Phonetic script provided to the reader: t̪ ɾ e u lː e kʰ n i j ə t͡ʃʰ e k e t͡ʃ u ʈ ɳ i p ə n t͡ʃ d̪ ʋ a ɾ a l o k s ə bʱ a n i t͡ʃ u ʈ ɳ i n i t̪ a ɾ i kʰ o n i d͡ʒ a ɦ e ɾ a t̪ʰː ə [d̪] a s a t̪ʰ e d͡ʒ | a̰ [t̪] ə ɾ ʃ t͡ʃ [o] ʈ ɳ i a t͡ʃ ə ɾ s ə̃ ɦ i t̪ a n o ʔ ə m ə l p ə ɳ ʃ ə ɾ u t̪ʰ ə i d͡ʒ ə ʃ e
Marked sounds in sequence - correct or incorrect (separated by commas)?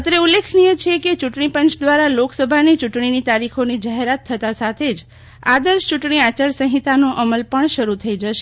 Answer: incorrect, incorrect, incorrect